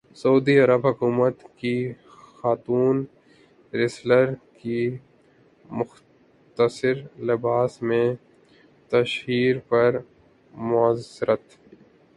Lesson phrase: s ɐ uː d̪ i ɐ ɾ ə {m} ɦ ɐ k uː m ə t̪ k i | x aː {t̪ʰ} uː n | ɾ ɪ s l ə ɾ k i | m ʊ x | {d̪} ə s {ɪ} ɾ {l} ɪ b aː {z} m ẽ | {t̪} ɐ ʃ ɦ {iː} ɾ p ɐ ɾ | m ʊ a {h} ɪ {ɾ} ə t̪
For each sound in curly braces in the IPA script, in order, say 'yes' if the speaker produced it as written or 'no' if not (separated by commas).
no, no, no, yes, yes, no, yes, yes, no, yes